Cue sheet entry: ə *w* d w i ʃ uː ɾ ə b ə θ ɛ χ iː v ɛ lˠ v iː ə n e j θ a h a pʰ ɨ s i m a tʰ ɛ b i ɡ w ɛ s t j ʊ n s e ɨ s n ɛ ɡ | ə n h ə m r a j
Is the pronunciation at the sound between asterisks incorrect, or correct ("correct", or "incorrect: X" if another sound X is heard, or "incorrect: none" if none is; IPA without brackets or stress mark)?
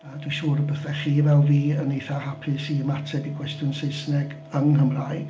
incorrect: none